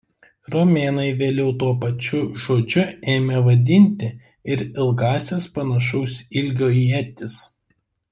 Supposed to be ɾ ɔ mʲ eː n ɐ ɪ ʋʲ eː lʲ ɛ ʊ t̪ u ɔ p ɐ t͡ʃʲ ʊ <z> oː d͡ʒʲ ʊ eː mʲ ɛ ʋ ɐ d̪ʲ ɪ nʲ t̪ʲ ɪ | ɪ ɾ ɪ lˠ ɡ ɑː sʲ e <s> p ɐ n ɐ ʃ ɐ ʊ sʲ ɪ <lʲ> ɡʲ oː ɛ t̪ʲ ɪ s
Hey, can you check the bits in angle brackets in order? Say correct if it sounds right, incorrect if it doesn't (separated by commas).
incorrect, correct, correct